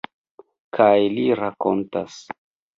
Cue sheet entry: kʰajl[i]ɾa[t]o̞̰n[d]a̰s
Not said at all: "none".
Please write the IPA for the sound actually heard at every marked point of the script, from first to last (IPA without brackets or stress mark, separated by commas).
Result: i, k, t